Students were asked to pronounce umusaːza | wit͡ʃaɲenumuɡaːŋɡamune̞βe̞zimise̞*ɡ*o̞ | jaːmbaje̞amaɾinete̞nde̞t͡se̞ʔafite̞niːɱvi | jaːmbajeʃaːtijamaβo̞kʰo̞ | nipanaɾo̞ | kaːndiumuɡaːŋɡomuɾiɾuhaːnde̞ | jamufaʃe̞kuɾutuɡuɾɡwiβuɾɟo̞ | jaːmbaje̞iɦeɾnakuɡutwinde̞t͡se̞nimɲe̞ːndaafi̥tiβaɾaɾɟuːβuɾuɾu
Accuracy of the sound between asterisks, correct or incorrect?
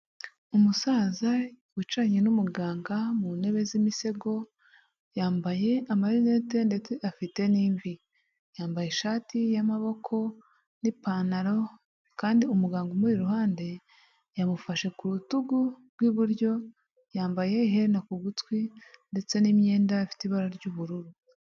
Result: correct